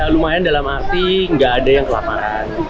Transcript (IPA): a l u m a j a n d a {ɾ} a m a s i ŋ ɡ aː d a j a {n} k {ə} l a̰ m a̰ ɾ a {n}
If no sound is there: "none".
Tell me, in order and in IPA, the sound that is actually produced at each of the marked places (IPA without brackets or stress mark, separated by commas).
l, ŋ, ə, n